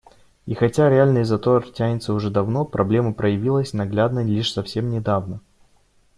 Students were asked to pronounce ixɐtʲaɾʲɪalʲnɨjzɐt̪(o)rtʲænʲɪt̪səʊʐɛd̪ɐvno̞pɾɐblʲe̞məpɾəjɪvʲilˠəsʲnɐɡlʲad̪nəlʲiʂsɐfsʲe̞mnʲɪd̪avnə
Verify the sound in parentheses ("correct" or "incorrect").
correct